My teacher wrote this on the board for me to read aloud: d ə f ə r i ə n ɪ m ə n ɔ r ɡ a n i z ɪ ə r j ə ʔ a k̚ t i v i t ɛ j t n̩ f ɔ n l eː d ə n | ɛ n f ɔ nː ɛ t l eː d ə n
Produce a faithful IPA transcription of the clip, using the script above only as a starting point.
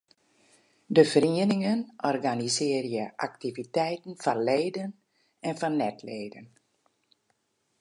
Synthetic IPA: d ə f ə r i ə n ɪ ŋ ə n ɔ r ɡ a n i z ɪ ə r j ə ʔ a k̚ t i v i t ɛ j t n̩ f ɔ n l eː d ə n | ɛ n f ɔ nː ɛ t l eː d ə n